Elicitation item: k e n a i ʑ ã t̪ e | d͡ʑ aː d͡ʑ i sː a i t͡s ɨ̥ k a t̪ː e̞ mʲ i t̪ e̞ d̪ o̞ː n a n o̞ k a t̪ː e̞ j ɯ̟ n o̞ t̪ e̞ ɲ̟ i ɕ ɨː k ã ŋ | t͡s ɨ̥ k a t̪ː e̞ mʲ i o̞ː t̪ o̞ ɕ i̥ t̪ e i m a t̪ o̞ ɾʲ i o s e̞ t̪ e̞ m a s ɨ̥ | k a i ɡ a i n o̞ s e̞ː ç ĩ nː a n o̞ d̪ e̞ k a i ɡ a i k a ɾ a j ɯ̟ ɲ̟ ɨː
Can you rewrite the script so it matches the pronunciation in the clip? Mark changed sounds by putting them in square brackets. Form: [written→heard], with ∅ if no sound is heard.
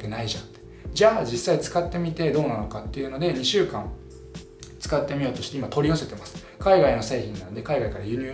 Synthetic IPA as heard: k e n a i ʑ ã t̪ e | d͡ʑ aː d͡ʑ i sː a i t͡s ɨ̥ k a t̪ː e̞ mʲ i t̪ e̞ d̪ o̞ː n a n o̞ k a t̪ː e̞ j ɯ̟ n o̞ [t̪→d̪] e̞ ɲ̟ i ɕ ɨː k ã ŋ | t͡s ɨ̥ k a t̪ː e̞ mʲ i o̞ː t̪ o̞ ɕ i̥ t̪ e i m a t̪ o̞ ɾʲ i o s e̞ t̪ e̞ m a s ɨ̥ | k a i ɡ a i n o̞ s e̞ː ç ĩ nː a n o̞ d̪ e̞ k a i ɡ a i k a ɾ a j ɯ̟ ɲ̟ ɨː